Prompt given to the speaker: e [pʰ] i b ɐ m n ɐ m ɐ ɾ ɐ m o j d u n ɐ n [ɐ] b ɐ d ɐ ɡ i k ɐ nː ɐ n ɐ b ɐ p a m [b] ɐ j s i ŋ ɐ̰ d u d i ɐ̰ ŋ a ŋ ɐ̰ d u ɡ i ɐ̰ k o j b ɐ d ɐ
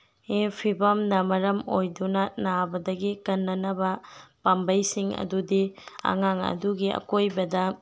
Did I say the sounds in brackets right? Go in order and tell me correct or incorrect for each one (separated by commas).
correct, incorrect, correct